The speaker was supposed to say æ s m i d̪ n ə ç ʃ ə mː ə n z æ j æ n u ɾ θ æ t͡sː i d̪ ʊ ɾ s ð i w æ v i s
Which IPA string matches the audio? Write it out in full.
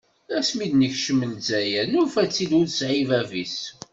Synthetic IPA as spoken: æ s m i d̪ n ə ç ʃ ə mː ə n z æ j æ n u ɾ f æ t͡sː i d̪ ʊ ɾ s ʕ i v æ v i s